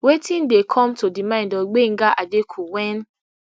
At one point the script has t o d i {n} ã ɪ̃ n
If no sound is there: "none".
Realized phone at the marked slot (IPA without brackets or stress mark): m